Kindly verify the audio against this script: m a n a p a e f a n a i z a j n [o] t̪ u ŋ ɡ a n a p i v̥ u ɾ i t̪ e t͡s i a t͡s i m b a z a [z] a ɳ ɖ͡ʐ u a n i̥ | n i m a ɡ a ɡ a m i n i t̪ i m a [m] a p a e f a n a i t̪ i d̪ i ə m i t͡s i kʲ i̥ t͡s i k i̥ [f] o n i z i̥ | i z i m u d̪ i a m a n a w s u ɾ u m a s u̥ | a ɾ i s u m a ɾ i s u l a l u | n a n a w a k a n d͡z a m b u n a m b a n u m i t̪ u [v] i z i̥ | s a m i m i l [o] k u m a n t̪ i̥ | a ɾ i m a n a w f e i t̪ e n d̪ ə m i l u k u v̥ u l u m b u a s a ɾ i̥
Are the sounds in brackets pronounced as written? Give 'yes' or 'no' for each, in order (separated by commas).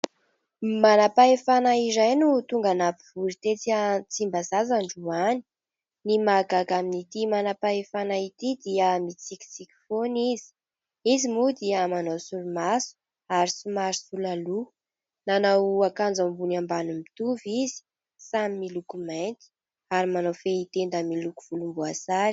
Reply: no, yes, no, yes, yes, no